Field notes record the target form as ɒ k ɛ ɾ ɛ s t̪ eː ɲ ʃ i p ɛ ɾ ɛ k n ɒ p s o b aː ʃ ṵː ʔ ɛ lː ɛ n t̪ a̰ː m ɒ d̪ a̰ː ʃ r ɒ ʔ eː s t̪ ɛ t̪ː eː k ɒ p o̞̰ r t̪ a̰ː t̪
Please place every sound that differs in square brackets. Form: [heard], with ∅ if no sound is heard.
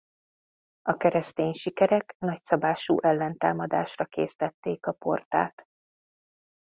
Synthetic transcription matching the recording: ɒ k ɛ ɾ ɛ s t̪ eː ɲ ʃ i [k] ɛ ɾ ɛ k n ɒ [c] s [ɒ] b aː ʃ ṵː ʔ ɛ lː ɛ n t̪ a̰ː m ɒ d̪ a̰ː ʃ r ɒ [k] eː s t̪ ɛ t̪ː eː k ɒ p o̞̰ r t̪ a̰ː t̪